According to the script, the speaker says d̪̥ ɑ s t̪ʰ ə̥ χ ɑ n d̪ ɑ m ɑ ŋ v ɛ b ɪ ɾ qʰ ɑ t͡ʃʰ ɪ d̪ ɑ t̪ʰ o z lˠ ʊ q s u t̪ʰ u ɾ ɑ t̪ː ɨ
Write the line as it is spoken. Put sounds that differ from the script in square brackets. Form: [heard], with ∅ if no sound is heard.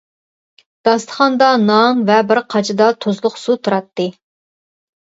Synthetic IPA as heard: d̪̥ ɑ s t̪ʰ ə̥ χ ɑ n d̪ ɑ [n] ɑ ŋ v ɛ b ɪ ɾ qʰ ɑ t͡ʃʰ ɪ d̪ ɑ t̪ʰ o z lˠ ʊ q s u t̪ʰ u ɾ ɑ t̪ː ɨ